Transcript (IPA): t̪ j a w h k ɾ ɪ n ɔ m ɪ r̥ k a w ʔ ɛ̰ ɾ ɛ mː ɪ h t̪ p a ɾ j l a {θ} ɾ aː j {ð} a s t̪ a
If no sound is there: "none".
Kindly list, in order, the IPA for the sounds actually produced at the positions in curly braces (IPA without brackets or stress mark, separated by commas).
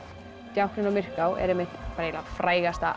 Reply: f, ɣ